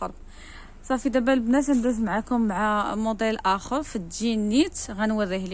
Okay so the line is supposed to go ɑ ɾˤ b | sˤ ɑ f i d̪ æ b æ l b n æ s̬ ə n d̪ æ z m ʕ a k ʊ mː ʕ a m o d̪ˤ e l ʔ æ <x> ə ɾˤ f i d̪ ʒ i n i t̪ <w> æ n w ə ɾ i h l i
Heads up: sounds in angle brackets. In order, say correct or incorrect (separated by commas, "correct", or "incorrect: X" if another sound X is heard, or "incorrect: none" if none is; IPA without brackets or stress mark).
correct, incorrect: ɣ